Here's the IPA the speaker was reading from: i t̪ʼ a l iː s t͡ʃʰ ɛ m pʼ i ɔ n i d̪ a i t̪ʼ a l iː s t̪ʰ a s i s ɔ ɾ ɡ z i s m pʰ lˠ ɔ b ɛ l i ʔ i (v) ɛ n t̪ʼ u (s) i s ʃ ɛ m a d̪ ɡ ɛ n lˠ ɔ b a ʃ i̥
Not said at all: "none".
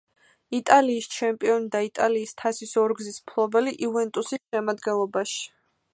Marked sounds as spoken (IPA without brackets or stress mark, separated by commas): v, s